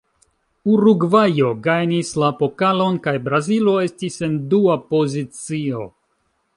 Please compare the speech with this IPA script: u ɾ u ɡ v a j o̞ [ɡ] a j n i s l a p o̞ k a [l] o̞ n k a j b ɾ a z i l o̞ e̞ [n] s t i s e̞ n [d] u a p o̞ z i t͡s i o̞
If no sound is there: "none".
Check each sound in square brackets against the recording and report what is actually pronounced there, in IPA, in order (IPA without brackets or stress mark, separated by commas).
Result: ɡ, l, none, d